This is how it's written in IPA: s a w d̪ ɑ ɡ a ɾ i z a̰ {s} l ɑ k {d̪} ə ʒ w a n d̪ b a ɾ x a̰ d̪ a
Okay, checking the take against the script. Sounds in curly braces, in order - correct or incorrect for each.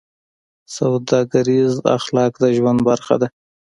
incorrect, correct

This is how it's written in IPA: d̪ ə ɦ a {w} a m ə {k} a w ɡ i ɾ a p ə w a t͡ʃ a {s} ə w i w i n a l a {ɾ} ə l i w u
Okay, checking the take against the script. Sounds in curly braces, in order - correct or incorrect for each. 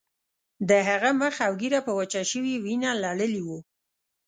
incorrect, incorrect, incorrect, incorrect

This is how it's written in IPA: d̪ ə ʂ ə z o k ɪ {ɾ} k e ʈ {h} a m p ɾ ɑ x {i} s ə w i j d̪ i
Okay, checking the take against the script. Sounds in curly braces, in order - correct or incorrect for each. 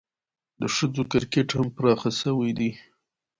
correct, correct, incorrect

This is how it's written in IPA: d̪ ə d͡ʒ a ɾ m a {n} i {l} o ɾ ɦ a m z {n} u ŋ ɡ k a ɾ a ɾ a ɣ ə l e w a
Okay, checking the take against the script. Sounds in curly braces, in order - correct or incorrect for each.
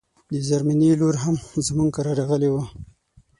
correct, correct, incorrect

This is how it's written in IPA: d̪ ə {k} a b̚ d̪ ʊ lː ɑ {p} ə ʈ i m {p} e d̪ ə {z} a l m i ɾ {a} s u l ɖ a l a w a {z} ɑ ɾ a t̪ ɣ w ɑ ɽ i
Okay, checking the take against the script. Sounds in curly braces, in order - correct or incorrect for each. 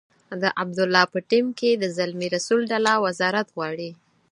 incorrect, correct, incorrect, correct, correct, correct

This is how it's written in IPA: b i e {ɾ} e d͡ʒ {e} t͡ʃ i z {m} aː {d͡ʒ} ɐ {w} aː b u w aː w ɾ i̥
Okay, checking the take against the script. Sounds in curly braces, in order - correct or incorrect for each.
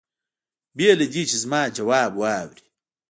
incorrect, incorrect, correct, correct, correct

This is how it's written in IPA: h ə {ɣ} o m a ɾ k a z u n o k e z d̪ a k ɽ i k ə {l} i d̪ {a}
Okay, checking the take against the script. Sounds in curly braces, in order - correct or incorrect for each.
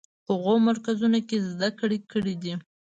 correct, incorrect, incorrect

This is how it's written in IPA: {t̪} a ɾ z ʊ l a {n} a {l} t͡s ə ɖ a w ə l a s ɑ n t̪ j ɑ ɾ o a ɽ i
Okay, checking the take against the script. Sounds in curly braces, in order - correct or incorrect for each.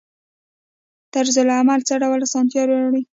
correct, incorrect, correct

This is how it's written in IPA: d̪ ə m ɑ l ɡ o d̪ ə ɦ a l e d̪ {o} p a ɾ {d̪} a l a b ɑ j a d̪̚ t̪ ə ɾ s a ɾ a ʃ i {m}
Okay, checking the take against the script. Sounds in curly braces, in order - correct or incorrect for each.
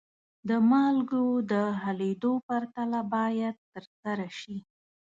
correct, incorrect, incorrect

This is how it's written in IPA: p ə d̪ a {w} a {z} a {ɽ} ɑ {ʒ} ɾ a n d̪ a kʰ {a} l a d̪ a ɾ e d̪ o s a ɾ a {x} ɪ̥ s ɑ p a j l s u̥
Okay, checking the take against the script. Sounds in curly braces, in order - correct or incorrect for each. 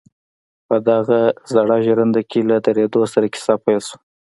incorrect, correct, correct, correct, incorrect, incorrect

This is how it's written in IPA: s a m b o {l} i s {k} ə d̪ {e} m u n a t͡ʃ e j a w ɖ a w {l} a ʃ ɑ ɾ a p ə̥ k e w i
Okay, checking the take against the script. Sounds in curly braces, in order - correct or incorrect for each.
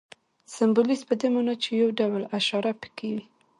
correct, incorrect, correct, correct

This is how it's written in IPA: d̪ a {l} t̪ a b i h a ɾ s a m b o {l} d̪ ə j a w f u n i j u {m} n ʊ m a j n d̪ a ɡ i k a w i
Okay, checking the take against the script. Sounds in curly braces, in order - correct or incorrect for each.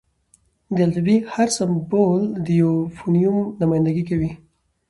correct, correct, correct

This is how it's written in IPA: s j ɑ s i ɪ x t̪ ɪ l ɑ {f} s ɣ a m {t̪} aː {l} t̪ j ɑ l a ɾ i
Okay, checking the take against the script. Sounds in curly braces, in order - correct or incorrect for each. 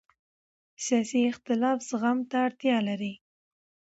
correct, correct, incorrect

